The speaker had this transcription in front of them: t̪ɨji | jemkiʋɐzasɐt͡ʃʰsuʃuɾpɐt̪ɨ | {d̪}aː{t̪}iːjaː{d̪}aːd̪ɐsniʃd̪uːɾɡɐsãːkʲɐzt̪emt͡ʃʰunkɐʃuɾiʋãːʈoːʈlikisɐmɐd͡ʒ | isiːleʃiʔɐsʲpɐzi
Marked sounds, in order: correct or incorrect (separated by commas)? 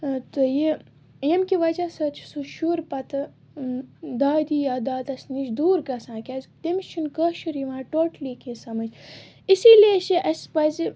correct, incorrect, correct